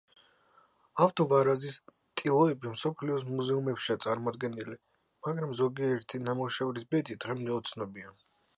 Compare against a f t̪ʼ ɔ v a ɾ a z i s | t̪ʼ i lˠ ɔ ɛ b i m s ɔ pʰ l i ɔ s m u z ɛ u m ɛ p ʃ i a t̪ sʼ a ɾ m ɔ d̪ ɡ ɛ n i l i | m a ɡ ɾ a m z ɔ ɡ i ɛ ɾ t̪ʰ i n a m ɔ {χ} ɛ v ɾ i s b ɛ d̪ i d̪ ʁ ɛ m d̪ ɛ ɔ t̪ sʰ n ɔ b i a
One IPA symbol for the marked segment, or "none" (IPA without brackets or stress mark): ʃ